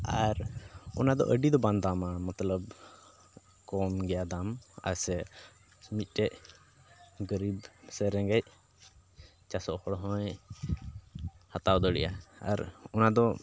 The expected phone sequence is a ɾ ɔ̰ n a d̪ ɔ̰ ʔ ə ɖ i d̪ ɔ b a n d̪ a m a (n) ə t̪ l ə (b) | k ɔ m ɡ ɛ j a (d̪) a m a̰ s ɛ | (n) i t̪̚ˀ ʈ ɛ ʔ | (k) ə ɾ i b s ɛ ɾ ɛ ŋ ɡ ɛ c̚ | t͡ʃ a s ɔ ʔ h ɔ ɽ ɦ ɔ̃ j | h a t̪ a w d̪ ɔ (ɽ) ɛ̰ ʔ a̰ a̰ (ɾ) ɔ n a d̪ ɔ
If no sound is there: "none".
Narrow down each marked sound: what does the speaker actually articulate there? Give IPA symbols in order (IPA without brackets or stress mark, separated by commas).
m, b, d̪, m, ɡ, ɽ, ɾ